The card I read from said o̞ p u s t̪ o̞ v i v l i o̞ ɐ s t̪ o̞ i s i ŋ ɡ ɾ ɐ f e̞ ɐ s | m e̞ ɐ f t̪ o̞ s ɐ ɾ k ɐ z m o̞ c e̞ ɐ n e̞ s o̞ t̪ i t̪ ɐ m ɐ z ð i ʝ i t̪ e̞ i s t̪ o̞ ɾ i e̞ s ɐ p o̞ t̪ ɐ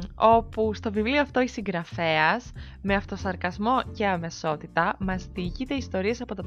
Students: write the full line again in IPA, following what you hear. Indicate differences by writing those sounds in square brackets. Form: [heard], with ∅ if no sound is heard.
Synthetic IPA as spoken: o̞ p u s t̪ o̞ v i v l i o̞ ɐ [f] t̪ o̞ i s i ŋ ɡ ɾ ɐ f e̞ ɐ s | m e̞ ɐ f t̪ o̞ s ɐ ɾ k ɐ z m o̞ c e̞ ɐ [m] e̞ s o̞ t̪ i t̪ ɐ m ɐ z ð i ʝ i t̪ e̞ i s t̪ o̞ ɾ i e̞ s ɐ p o̞ t̪ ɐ